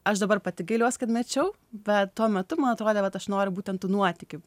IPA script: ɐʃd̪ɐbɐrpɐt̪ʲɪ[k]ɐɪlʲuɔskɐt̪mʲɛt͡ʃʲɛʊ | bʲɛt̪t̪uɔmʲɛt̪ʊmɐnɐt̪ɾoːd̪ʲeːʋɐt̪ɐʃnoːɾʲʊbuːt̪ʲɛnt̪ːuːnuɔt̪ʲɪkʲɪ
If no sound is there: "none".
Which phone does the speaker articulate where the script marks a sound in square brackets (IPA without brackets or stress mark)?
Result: ɡ